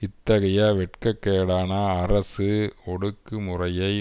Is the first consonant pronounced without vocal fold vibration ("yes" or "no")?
yes